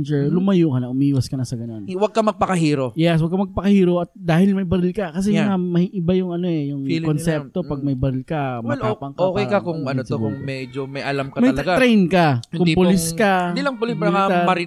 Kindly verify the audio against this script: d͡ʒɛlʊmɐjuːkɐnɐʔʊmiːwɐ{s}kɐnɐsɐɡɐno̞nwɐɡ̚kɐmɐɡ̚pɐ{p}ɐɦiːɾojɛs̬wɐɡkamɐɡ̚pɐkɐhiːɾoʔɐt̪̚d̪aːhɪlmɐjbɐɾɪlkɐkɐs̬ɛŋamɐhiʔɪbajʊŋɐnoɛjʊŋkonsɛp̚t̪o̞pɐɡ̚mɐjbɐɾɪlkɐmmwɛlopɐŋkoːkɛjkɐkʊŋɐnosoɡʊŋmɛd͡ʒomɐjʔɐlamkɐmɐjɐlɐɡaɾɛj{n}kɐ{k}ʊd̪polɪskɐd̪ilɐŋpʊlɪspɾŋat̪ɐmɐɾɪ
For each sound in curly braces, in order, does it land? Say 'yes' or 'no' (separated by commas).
yes, no, yes, yes